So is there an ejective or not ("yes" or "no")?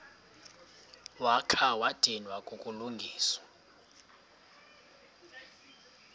yes